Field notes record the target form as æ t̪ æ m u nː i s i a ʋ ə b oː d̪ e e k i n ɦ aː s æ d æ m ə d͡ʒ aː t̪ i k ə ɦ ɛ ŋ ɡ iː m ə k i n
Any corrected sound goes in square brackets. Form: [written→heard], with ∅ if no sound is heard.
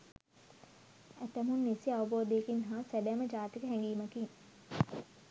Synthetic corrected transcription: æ t̪ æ m u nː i s i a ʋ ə b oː d̪ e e k i n ɦ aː s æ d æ m ə d͡ʒ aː t̪ i k ə ɦ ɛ ŋ ɡ iː m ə k i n